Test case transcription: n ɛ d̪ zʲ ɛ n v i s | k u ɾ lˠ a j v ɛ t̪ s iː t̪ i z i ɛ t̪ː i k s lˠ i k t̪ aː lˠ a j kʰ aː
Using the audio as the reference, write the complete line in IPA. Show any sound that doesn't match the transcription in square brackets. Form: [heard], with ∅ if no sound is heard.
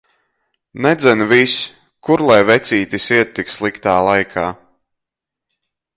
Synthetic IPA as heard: n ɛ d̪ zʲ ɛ n v i s | k u ɾ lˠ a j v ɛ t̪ s iː t̪ i [s] i ɛ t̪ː i k s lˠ i k t̪ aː lˠ a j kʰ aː